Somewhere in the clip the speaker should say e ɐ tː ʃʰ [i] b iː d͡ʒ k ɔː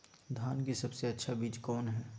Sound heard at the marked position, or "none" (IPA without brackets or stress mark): a